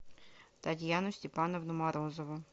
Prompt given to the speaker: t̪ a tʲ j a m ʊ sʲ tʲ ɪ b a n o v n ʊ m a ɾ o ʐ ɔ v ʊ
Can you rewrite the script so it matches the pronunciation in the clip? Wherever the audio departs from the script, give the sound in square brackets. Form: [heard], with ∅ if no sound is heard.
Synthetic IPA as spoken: t̪ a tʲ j a [n] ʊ sʲ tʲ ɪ [p] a n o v n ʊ m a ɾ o [z] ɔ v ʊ